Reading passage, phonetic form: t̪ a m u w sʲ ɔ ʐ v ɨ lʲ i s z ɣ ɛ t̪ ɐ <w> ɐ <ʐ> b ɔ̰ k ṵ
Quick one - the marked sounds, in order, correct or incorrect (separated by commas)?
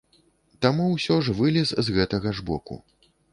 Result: incorrect, correct